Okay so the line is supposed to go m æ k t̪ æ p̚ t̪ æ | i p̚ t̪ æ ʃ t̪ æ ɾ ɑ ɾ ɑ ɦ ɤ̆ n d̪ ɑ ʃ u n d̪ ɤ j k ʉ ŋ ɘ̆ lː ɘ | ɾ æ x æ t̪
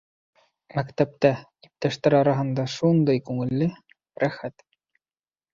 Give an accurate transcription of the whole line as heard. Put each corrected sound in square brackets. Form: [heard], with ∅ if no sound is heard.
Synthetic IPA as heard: m æ k t̪ æ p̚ t̪ æ | i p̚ t̪ æ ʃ t̪ æ ɾ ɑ ɾ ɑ ɦ ɤ̆ n d̪ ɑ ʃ u n d̪ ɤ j k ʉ ŋ ɘ̆ lː ɘ | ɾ æ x æ t̪